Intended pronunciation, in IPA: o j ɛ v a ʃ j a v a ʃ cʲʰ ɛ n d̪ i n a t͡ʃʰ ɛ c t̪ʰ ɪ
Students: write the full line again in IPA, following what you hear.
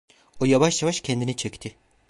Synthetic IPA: o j a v a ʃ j a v a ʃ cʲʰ ɛ n d̪ i n i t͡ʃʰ ɛ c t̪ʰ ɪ